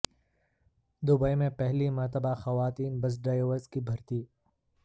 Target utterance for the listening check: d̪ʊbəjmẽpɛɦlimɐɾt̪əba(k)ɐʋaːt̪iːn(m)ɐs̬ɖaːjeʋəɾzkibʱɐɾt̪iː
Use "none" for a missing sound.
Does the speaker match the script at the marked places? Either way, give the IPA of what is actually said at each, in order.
x, b

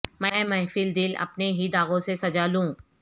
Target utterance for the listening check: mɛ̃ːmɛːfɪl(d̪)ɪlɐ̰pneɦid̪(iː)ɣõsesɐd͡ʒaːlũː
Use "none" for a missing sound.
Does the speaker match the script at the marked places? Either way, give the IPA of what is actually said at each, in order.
d̪, aː

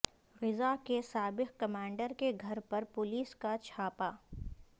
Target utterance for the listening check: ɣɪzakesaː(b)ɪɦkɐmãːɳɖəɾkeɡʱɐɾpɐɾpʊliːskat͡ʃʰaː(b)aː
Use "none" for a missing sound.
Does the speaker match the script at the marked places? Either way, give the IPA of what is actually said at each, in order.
b, p

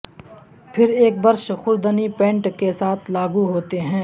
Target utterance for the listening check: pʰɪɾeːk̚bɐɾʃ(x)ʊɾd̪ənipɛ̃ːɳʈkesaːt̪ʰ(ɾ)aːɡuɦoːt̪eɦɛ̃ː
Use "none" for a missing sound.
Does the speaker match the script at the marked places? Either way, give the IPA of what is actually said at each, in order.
x, l

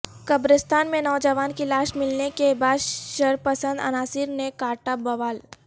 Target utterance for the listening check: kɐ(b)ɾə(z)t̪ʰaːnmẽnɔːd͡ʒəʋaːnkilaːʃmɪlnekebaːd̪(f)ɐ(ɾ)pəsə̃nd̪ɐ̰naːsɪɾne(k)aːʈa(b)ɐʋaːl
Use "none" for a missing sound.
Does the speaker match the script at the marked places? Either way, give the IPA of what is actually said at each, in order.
b, s, ʃ, ɾ, k, b

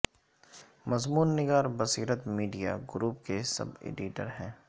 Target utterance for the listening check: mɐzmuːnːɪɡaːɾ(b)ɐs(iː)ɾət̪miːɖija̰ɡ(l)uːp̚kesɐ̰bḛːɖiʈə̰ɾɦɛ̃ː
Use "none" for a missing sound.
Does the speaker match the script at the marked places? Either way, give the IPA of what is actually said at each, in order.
b, iː, ɾ

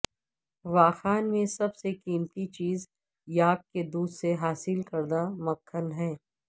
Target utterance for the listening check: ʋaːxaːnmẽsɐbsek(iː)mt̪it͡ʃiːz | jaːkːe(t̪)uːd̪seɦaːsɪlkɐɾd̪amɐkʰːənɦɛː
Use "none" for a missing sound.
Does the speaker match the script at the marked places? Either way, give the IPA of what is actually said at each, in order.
iː, d̪

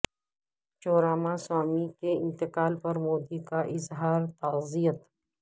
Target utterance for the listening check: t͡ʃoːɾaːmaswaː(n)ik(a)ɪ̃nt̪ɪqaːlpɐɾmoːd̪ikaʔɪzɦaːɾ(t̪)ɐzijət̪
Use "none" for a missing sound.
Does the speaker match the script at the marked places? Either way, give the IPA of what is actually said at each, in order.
m, e, t̪

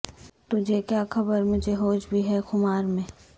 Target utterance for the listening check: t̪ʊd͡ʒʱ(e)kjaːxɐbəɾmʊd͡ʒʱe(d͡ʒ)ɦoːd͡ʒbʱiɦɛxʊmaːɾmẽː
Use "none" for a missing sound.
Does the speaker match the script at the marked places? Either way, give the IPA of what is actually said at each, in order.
e, none

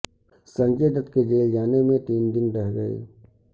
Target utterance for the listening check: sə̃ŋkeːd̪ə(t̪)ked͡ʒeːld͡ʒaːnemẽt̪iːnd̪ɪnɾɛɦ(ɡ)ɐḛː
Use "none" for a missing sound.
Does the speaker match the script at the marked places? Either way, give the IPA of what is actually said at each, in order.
t̪, ɡ

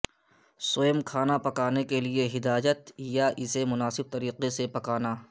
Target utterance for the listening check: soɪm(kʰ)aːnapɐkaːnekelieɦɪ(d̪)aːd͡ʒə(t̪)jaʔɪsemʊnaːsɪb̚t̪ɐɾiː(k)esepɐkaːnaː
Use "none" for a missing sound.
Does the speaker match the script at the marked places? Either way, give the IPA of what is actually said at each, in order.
kʰ, d̪, t̪, q

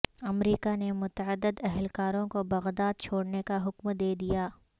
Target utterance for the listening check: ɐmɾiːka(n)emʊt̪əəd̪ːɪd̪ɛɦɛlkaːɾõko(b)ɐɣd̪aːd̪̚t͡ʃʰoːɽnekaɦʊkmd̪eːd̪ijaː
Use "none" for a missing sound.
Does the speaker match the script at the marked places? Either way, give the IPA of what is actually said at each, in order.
n, b

